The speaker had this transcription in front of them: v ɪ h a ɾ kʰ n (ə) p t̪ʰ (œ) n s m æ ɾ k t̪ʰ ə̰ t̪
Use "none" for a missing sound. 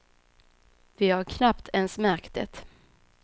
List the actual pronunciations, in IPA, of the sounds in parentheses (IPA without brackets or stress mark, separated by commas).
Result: a, ɛ